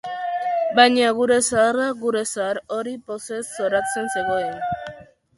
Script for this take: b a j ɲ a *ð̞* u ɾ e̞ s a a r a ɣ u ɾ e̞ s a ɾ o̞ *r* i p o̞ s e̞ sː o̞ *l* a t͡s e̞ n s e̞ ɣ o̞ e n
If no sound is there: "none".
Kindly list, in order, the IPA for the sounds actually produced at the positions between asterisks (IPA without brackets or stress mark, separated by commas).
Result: ɣ̞, ɾ, ɾ